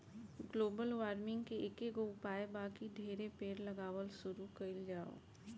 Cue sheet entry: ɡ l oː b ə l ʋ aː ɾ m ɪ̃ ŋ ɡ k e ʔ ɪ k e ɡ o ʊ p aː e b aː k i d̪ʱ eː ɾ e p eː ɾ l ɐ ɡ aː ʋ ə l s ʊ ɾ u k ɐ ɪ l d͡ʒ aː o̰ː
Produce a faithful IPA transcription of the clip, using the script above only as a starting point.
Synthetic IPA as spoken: ɡ l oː b ə l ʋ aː ɾ m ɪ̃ ŋ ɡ k e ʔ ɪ k e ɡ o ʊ p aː e b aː k i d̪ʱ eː ɾ e p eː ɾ l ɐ ɡ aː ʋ ə l s ʊ ɾ u k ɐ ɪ l d͡ʒ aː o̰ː